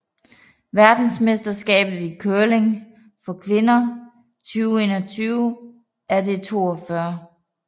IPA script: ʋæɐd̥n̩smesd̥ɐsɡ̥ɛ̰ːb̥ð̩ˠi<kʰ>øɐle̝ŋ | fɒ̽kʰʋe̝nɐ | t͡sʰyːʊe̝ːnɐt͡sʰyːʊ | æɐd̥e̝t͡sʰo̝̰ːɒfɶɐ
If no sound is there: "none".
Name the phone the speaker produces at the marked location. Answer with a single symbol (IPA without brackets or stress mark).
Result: kʰ